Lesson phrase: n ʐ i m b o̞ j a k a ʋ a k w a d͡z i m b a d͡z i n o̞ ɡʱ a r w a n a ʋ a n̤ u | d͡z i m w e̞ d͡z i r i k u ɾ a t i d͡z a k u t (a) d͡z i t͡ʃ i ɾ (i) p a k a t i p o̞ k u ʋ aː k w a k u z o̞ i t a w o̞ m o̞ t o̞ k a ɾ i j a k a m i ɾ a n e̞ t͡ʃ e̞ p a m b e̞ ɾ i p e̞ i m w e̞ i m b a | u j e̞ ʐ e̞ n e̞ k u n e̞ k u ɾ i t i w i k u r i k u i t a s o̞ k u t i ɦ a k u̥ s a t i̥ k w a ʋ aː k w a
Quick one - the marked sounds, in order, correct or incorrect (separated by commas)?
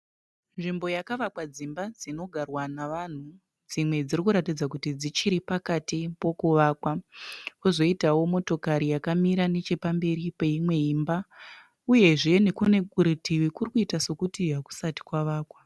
incorrect, correct